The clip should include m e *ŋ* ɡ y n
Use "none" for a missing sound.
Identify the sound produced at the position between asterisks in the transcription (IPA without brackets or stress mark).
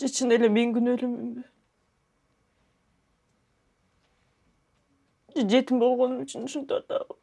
ŋ